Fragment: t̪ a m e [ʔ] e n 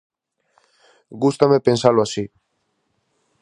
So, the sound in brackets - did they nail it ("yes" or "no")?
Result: no